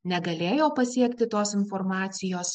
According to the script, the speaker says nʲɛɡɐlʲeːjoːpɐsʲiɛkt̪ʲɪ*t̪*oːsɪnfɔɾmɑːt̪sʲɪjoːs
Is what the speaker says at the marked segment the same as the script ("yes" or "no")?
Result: yes